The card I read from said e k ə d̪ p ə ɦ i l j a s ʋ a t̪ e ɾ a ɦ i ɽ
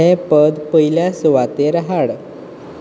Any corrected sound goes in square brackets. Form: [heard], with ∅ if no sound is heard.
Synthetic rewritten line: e [p] ə d̪ p ə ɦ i l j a s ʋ a t̪ e ɾ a ɦ [a] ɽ

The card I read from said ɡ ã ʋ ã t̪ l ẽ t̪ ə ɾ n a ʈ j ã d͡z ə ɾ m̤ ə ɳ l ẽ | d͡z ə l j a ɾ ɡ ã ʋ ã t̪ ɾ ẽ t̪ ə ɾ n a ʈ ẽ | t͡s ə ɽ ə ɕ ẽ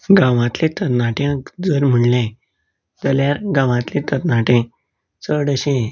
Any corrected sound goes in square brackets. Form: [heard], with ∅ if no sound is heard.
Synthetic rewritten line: ɡ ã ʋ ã t̪ l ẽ t̪ ə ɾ n a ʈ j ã d͡z ə ɾ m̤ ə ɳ l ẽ | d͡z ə l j a ɾ ɡ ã ʋ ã t̪ [l] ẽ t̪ ə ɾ n a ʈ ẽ | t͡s ə ɽ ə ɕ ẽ

